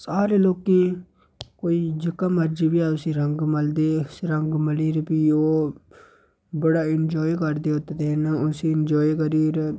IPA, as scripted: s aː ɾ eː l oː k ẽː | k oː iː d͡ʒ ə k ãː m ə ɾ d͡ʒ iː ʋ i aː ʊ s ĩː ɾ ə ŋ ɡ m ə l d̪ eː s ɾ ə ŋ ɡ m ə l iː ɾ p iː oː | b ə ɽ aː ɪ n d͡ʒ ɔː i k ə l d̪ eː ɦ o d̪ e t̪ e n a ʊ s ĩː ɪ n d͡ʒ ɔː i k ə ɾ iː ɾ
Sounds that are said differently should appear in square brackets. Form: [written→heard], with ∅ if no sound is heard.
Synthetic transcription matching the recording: s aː ɾ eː l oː k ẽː | k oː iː d͡ʒ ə k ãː m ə ɾ d͡ʒ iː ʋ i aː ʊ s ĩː ɾ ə ŋ ɡ m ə l d̪ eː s ɾ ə ŋ ɡ m ə l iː ɾ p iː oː | b ə ɽ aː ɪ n d͡ʒ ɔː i k ə [l→ɾ] d̪ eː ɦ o [d̪→t̪] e t̪ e n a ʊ s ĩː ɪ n d͡ʒ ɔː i k ə ɾ iː ɾ